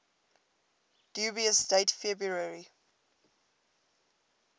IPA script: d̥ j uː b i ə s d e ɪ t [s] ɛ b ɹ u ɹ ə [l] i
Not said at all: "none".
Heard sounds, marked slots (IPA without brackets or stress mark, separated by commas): f, ɹ